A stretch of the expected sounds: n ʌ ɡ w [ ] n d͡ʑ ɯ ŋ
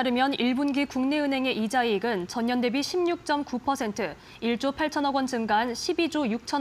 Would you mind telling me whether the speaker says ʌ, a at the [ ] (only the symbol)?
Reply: ʌ